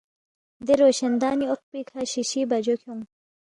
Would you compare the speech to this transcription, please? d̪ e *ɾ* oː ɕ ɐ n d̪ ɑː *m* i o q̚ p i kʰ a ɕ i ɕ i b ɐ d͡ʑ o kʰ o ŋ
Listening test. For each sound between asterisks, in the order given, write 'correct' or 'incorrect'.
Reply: correct, incorrect: n

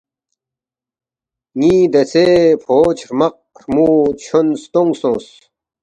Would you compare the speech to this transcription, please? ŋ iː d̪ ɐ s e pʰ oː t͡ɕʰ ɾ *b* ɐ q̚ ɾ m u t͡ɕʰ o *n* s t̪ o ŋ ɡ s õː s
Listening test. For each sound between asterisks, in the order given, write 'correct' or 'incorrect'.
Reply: incorrect: m, correct

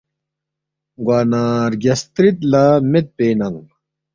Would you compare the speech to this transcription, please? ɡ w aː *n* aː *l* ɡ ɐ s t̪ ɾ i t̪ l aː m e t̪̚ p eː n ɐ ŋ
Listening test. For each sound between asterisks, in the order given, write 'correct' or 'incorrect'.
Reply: correct, incorrect: ɾ

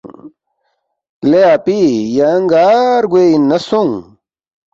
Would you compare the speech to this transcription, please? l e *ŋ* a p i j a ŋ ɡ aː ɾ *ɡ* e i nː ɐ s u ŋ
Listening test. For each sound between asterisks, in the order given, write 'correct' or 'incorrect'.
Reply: incorrect: none, correct

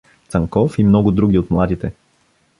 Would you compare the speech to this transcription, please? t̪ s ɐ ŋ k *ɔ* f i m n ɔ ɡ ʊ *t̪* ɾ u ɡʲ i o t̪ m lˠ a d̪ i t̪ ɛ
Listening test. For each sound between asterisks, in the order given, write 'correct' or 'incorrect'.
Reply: correct, incorrect: d̪

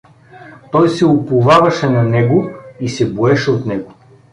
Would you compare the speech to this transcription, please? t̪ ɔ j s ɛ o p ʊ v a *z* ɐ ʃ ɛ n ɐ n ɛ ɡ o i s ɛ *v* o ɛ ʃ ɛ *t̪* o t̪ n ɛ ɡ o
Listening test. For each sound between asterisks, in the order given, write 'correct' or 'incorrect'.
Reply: incorrect: v, incorrect: b, incorrect: none

